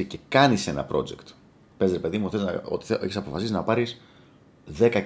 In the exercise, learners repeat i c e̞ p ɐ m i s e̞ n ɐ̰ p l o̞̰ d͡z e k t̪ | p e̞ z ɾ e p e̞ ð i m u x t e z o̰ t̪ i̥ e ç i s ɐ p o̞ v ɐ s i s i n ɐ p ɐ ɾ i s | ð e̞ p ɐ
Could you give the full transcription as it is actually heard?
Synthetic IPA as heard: i c e̞ k ɐ n i s e̞ n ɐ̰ p ɾ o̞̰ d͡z e k t̪ | p e̞ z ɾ e p e̞ ð i m u x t e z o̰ t̪ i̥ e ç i s ɐ p o̞ f ɐ s i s i n ɐ p ɐ ɾ i s | ð e̞ k ɐ